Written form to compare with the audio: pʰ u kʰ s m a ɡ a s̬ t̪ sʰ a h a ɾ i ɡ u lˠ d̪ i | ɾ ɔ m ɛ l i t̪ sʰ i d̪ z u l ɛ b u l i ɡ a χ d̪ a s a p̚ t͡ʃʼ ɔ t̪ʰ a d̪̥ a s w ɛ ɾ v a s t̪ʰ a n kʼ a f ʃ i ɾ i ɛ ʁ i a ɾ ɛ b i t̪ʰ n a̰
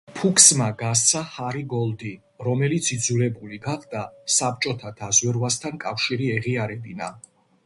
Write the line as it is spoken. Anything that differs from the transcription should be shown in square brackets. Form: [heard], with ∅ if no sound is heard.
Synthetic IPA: pʰ u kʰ s m a ɡ a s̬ t̪ sʰ a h a ɾ i ɡ [ɔ] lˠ d̪ i | ɾ ɔ m ɛ l i t̪ sʰ i d̪ z u l ɛ b u l i ɡ a χ d̪ a s a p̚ t͡ʃʼ ɔ t̪ʰ a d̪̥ a [z] w ɛ ɾ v a s t̪ʰ a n kʼ a f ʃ i ɾ i ɛ ʁ i a ɾ ɛ b i [∅] n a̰